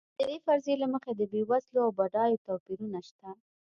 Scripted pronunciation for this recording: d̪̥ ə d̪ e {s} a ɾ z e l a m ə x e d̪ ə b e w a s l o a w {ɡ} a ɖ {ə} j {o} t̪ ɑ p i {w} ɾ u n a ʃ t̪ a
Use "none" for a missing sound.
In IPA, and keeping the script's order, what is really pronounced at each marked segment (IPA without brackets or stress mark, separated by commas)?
f, b, ɑ, o, none